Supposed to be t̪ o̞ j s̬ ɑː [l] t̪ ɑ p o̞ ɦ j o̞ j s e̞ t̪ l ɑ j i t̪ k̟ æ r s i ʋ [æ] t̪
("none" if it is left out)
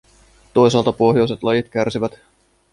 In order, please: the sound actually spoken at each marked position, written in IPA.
l, æ

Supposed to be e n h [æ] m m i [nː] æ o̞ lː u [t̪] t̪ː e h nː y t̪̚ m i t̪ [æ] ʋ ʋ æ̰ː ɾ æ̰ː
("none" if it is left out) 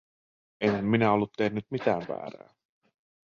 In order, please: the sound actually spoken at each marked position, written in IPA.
æ, n, t̪, æː

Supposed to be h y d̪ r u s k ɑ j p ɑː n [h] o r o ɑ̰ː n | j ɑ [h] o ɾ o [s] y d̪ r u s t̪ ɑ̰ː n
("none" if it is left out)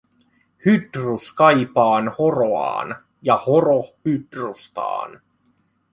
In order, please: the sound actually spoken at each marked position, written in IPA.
h, h, h

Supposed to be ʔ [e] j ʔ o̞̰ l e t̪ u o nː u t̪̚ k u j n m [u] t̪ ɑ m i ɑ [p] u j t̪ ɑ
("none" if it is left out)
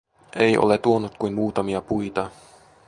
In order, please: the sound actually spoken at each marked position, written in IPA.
e, uː, p

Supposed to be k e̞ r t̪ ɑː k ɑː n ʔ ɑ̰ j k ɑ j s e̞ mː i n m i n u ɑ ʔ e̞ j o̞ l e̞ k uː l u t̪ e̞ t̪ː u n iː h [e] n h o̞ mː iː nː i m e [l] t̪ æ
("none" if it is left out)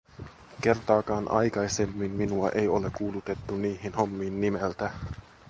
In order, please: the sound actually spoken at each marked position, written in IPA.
i, l

